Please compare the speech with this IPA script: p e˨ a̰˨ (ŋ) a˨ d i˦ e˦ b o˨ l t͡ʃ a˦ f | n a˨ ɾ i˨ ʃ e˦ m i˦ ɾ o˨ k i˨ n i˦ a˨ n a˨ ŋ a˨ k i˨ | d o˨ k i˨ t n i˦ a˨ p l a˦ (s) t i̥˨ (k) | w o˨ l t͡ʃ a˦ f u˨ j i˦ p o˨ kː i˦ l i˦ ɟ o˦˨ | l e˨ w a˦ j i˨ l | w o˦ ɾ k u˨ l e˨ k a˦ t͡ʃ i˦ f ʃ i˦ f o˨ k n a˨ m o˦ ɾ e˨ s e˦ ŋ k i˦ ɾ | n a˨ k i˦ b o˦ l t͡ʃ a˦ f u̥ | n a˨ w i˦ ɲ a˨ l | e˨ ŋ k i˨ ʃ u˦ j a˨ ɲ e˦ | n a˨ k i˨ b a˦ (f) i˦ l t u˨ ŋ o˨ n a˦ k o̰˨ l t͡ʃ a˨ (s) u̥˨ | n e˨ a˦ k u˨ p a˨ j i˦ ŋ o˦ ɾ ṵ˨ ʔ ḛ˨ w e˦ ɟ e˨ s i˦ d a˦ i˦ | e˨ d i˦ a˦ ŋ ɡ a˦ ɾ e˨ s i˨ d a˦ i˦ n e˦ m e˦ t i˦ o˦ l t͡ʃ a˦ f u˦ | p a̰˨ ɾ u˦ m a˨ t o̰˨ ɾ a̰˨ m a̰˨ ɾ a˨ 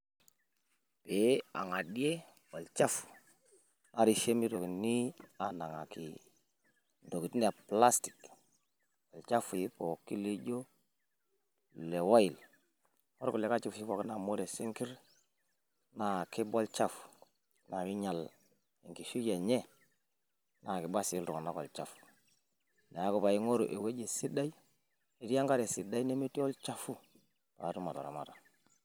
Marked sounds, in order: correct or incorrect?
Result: correct, correct, correct, incorrect: s, incorrect: f

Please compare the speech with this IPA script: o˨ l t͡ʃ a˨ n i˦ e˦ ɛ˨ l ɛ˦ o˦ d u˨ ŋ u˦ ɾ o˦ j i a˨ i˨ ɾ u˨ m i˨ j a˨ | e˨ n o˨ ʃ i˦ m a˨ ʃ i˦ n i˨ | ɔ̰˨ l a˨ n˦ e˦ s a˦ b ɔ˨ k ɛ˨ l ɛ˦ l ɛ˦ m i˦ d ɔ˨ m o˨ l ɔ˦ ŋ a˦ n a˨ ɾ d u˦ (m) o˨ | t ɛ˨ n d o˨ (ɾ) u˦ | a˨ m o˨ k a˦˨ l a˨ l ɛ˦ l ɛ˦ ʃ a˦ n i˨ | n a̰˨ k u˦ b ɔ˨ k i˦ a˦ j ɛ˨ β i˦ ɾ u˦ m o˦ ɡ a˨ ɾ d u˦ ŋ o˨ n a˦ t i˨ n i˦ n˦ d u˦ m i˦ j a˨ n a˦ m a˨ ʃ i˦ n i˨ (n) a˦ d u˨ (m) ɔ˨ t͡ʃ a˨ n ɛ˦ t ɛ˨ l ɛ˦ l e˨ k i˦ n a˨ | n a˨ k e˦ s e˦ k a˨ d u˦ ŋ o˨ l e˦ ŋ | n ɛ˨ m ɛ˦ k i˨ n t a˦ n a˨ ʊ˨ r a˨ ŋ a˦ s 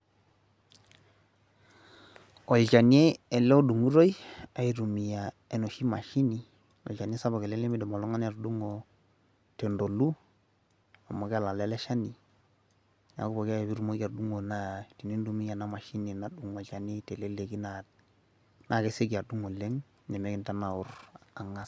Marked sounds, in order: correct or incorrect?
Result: incorrect: ŋ, incorrect: l, correct, incorrect: ŋ

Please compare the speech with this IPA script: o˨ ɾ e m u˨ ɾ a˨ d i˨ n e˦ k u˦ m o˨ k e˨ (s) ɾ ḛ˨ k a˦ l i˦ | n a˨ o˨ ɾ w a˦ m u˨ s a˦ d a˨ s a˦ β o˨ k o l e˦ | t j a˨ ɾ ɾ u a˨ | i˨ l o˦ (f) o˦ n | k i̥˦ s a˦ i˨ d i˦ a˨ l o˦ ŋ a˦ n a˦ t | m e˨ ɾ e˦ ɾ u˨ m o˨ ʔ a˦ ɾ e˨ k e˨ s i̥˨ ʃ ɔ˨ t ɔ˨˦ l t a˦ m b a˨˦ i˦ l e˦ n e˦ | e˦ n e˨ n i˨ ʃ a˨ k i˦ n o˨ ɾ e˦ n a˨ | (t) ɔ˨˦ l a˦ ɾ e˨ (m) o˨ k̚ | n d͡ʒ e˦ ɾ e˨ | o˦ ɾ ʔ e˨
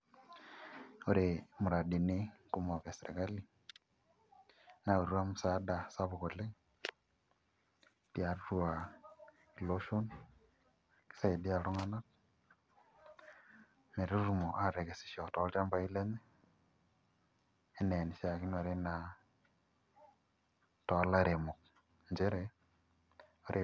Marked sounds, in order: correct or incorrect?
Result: correct, incorrect: ʃ, correct, correct

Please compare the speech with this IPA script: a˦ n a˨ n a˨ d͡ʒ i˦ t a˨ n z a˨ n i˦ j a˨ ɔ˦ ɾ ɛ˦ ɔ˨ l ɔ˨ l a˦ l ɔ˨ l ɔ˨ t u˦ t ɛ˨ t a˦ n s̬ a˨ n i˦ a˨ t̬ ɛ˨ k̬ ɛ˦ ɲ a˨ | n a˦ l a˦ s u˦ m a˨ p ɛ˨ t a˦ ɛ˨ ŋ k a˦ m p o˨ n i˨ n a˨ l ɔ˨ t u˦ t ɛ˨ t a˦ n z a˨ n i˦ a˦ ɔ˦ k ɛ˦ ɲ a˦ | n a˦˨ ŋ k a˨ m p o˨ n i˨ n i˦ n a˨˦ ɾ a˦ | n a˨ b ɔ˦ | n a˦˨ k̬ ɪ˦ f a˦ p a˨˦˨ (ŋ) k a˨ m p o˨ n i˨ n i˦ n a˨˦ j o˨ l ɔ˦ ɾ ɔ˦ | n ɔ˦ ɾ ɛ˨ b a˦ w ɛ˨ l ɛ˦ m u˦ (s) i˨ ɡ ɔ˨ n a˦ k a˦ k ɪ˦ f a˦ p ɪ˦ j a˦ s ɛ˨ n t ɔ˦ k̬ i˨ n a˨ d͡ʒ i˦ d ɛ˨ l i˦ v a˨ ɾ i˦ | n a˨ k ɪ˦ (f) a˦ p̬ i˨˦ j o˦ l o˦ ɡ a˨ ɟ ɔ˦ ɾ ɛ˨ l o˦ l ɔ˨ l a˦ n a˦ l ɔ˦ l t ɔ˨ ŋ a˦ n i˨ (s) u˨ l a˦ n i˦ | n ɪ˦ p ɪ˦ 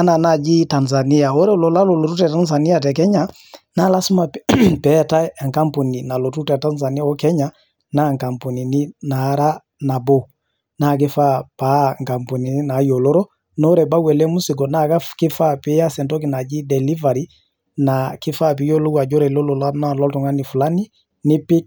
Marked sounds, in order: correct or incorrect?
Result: correct, correct, correct, incorrect: f

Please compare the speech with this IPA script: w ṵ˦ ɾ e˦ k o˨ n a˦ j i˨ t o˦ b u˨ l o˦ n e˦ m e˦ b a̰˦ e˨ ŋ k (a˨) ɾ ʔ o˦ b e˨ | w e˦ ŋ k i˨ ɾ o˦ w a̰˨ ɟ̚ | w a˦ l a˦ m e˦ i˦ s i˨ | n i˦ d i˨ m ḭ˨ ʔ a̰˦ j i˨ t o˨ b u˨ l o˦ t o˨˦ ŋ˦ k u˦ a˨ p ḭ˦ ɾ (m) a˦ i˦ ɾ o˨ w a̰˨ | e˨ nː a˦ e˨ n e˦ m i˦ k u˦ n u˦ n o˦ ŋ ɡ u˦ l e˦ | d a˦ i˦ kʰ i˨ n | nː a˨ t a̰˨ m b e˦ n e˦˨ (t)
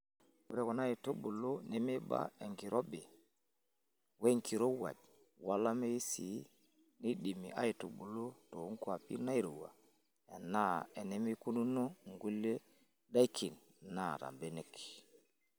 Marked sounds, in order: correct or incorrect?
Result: incorrect: i˨, incorrect: n, incorrect: k

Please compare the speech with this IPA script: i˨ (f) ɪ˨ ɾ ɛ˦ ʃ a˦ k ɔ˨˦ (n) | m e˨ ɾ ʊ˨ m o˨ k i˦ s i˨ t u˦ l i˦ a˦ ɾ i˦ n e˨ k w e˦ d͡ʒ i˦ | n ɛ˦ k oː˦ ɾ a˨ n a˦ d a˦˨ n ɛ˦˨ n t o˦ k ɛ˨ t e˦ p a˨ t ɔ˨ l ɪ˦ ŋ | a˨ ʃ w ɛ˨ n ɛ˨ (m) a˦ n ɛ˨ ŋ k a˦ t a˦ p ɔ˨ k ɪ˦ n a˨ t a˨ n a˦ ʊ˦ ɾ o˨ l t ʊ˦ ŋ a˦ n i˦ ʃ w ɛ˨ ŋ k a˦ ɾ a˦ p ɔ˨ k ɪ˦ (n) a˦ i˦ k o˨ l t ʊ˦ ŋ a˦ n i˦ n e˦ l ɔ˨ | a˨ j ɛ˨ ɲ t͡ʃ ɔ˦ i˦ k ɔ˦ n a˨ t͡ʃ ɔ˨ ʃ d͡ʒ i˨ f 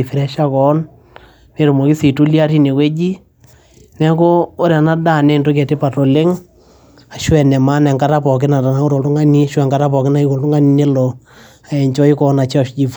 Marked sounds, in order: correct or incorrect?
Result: correct, correct, correct, correct

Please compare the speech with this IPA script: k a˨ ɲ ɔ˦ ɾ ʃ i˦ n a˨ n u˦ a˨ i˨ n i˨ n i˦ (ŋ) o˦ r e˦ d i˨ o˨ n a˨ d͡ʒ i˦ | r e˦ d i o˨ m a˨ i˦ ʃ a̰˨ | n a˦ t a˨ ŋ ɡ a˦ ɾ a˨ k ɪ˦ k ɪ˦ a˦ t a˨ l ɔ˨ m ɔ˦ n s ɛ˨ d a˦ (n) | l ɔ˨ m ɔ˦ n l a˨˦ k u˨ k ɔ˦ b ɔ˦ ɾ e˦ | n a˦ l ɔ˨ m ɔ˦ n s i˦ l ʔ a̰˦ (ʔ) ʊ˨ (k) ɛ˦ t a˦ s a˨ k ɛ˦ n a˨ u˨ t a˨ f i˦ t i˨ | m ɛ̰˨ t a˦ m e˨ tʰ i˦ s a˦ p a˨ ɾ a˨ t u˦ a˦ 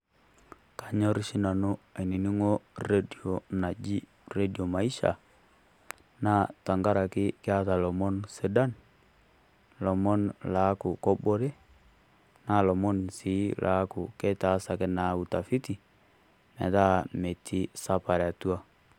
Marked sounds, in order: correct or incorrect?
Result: correct, correct, incorrect: k, correct

